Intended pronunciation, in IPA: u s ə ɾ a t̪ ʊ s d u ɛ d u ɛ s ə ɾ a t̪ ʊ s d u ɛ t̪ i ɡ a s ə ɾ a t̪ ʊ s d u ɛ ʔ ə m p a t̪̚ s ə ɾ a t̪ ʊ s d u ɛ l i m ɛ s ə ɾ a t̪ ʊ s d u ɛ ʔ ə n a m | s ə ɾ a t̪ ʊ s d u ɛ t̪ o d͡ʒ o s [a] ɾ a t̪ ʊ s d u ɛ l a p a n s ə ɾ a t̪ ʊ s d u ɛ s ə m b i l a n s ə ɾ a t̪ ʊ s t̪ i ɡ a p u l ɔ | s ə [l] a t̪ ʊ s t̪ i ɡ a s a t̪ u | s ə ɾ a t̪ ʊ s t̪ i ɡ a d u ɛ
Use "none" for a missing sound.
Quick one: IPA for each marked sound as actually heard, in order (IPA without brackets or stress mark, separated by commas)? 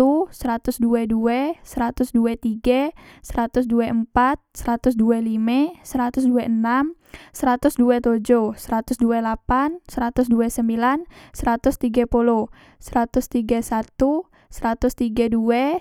ə, ɾ